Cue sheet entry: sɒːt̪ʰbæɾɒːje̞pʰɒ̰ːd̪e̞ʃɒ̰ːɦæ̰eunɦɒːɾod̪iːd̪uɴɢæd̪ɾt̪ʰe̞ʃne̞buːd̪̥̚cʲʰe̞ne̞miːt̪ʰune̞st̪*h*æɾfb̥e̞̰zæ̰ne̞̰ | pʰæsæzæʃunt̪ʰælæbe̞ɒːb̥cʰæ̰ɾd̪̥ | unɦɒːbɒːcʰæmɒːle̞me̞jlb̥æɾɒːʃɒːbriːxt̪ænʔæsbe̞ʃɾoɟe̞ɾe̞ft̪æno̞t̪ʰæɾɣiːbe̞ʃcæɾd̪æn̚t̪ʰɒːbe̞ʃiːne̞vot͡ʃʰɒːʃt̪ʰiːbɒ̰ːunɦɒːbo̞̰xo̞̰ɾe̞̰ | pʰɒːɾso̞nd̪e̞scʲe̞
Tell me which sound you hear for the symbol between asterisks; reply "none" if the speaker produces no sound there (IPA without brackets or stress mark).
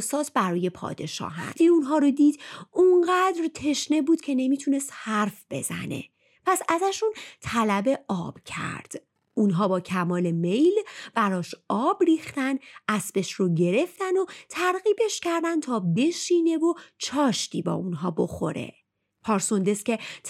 h